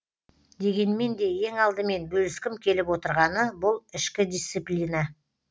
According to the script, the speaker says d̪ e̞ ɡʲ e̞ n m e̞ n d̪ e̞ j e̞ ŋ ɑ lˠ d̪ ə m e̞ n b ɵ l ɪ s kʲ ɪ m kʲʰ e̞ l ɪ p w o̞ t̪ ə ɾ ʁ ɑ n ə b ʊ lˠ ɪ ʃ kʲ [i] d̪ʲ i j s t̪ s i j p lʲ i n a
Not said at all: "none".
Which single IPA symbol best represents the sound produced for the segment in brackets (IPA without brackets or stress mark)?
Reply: ɪ